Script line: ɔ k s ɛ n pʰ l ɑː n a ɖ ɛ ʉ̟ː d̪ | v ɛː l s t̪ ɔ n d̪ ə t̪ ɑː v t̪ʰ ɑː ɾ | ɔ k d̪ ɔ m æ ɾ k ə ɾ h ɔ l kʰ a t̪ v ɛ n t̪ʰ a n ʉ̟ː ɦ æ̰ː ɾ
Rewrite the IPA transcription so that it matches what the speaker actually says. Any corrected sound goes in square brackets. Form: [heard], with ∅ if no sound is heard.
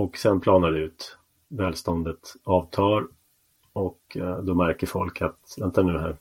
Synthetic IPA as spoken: ɔ k s ɛ n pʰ l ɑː n a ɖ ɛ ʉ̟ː [t̪] | v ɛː l s t̪ ɔ n d̪ ə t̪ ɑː v t̪ʰ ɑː ɾ | ɔ k d̪ ɔ m æ ɾ k ə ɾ [f] ɔ l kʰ a t̪ v ɛ n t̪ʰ a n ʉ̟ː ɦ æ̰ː ɾ